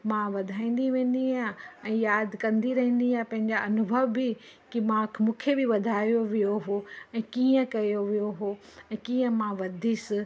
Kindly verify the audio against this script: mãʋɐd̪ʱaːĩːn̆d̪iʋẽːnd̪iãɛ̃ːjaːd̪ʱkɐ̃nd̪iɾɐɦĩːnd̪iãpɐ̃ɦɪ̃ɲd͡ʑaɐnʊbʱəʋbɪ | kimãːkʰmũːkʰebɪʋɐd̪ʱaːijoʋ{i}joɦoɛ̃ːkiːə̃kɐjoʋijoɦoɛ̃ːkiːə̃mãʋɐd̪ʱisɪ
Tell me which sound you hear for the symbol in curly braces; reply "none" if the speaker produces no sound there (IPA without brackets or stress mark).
i